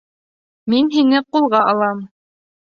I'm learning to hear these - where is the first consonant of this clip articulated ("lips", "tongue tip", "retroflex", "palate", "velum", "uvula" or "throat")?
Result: lips